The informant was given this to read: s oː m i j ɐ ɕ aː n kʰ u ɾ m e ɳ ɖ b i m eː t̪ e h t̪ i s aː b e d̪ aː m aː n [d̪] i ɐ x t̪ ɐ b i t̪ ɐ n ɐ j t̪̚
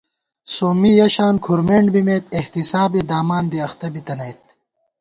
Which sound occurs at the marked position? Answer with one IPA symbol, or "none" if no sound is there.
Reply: d̪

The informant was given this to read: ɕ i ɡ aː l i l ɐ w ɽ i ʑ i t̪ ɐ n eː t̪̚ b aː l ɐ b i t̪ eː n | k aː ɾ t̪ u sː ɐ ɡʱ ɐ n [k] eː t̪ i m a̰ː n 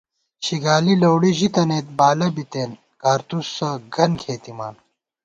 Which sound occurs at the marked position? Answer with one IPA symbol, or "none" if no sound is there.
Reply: kʰ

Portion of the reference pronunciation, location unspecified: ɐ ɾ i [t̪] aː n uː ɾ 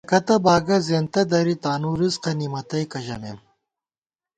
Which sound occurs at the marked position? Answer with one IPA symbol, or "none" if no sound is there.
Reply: t̪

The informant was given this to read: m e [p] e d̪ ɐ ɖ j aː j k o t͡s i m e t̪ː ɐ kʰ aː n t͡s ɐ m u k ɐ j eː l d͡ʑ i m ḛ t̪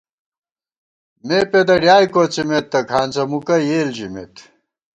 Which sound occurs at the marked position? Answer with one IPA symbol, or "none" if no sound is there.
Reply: p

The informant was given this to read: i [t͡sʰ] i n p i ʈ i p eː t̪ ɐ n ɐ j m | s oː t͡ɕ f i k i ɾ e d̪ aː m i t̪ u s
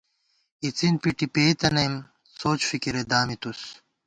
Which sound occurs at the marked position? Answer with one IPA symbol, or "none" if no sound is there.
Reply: t͡s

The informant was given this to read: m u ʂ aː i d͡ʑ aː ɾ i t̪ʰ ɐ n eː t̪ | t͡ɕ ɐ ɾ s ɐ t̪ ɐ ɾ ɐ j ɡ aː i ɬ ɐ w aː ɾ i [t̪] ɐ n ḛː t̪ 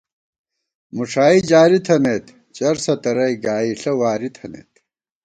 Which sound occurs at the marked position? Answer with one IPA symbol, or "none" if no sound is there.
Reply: t̪ʰ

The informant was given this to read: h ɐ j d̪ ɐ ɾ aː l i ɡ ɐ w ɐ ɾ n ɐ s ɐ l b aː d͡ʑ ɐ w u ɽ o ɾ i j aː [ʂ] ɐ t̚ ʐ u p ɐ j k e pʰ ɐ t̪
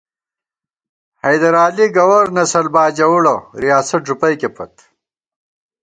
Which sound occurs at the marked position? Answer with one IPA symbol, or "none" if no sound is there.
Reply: s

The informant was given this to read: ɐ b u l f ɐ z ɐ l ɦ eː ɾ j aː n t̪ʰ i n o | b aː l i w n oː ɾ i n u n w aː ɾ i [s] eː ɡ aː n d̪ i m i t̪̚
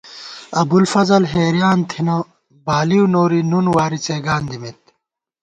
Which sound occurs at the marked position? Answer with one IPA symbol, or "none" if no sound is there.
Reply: t͡s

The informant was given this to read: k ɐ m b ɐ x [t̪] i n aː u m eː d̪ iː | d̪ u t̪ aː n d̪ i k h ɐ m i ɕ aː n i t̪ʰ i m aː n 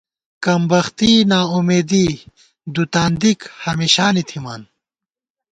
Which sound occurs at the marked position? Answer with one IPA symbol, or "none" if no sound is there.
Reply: t̪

